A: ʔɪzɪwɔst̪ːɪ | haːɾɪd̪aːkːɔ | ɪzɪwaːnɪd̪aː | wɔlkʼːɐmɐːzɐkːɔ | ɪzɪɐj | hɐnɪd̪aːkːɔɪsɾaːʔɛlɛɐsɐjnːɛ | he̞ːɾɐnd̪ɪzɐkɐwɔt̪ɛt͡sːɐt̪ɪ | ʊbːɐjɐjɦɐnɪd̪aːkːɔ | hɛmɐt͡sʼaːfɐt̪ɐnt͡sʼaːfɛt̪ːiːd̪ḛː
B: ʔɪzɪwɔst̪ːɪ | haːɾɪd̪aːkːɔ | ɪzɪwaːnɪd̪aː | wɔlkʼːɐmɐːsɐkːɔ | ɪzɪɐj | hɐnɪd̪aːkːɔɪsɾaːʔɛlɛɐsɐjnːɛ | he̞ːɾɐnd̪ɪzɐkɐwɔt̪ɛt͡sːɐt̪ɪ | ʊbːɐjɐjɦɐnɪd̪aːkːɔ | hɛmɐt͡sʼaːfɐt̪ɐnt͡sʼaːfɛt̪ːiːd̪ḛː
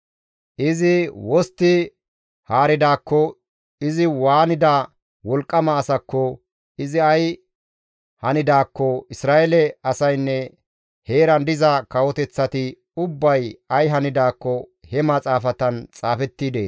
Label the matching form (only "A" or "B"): B